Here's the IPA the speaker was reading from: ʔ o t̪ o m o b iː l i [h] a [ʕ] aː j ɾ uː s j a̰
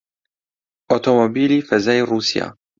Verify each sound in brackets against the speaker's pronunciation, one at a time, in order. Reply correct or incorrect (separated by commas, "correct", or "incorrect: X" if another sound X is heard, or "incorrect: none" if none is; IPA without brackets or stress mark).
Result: incorrect: f, incorrect: z